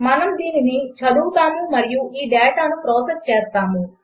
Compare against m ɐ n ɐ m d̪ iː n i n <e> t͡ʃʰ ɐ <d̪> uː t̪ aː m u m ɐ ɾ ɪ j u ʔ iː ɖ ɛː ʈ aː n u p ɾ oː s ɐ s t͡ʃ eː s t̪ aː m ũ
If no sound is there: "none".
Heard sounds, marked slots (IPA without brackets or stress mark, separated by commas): i, d̪